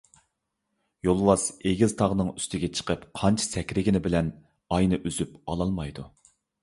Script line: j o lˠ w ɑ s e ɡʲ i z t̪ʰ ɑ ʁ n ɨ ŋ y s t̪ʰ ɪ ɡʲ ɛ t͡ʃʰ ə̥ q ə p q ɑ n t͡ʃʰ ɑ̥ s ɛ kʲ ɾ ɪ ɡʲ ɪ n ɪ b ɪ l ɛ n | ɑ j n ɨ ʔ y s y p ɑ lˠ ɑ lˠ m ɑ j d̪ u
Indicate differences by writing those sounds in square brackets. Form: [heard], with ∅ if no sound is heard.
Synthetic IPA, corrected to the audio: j o lˠ w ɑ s e ɡʲ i z t̪ʰ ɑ ʁ n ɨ ŋ y s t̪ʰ ɪ ɡʲ ɛ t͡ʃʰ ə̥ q ə p [qʰ] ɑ n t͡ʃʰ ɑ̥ s ɛ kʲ ɾ ɪ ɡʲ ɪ n ɪ b ɪ l ɛ n | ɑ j n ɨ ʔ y [z] y p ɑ lˠ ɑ lˠ m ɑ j d̪ u

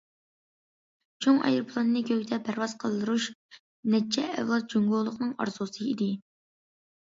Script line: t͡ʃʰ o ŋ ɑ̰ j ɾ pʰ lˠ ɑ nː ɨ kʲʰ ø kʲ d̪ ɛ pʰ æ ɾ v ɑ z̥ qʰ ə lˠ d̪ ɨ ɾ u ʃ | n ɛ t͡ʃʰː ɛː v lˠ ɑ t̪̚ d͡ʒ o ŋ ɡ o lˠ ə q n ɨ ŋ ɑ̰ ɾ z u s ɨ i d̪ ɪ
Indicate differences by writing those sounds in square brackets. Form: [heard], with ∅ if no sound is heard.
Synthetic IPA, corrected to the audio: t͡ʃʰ o ŋ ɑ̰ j ɾ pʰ lˠ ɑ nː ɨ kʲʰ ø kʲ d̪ ɛ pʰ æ ɾ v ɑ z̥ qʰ ə lˠ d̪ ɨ ɾ u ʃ | n ɛ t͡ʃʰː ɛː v lˠ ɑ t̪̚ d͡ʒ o ŋ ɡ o lˠ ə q n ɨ ŋ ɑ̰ ɾ z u s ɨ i d̪ ɪ

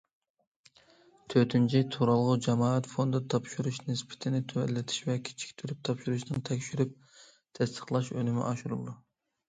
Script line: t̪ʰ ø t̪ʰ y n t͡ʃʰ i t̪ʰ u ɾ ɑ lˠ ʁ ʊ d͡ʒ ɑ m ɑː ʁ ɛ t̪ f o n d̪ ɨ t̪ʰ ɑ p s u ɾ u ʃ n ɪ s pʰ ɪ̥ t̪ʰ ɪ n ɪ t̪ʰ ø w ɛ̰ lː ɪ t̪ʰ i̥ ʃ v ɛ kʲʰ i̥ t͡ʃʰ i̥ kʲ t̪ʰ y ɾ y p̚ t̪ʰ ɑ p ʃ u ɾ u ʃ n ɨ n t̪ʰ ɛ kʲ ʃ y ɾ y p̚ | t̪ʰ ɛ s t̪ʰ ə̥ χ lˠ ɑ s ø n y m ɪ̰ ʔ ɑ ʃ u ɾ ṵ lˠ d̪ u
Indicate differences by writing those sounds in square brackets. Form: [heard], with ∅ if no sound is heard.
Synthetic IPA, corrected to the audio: t̪ʰ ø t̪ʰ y n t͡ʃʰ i t̪ʰ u ɾ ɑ lˠ ʁ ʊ d͡ʒ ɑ m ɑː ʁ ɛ t̪ f o n d̪ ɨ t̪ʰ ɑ p [ʃ] u ɾ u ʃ n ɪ s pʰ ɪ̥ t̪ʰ ɪ n ɪ t̪ʰ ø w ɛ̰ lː ɪ t̪ʰ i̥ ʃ v ɛ kʲʰ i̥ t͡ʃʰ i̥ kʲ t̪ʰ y ɾ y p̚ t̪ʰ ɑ p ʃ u ɾ u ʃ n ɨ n t̪ʰ ɛ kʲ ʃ y ɾ y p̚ | t̪ʰ ɛ s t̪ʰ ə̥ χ lˠ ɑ [ʃ] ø n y m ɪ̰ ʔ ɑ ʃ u ɾ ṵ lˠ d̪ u

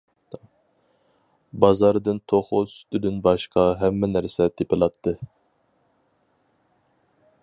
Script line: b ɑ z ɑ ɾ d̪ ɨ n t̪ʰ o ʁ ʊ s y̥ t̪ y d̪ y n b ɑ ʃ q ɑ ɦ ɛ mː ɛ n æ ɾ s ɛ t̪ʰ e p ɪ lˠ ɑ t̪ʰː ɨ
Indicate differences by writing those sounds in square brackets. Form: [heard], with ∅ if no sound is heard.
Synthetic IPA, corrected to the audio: b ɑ z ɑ ɾ d̪ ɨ n t̪ʰ o [χ] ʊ s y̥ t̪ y d̪ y n b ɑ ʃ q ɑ ɦ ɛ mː ɛ n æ ɾ s ɛ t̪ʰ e p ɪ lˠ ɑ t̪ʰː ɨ

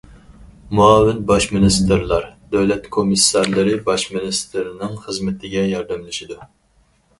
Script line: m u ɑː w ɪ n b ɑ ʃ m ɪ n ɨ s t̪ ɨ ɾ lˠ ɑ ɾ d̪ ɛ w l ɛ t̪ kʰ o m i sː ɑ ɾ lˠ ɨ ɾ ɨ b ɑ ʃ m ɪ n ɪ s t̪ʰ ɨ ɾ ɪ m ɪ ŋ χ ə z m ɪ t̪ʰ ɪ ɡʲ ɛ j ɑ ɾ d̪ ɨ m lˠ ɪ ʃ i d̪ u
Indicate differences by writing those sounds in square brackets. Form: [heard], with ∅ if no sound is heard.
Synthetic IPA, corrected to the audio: m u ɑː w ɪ n b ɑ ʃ m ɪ n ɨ s t̪ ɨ ɾ lˠ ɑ ɾ d̪ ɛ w l ɛ t̪ kʰ o m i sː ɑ ɾ lˠ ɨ ɾ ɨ b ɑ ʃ m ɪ n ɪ s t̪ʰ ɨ ɾ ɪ [n] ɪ ŋ χ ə z m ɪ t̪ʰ ɪ ɡʲ ɛ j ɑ ɾ d̪ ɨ m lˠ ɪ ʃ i d̪ u

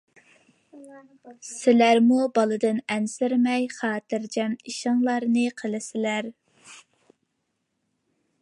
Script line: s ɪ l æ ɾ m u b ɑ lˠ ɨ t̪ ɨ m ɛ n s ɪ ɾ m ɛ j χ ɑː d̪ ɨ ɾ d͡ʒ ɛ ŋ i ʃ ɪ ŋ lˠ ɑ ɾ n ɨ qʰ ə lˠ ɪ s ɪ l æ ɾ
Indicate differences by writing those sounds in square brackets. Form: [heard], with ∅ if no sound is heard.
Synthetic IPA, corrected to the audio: s ɪ l æ ɾ m u b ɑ lˠ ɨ [d̪] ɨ [n] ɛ n s ɪ ɾ m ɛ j χ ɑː [t̪] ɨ ɾ d͡ʒ ɛ [m] i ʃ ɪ ŋ lˠ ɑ ɾ n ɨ qʰ ə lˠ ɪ s ɪ l æ ɾ

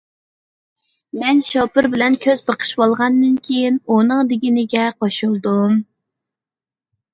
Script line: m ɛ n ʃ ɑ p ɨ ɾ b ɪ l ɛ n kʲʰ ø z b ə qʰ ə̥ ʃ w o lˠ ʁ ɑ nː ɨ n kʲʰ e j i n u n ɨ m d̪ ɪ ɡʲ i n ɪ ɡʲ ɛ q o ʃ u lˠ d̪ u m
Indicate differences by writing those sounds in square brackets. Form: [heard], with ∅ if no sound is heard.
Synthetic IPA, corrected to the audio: m ɛ n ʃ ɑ p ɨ ɾ b ɪ l ɛ n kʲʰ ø z b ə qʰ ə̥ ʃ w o lˠ ʁ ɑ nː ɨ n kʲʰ e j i n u n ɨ [ŋ] d̪ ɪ ɡʲ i n ɪ ɡʲ ɛ q o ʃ u lˠ d̪ u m

